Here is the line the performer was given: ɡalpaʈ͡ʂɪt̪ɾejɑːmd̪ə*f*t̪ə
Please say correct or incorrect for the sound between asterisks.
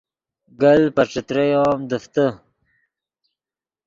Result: correct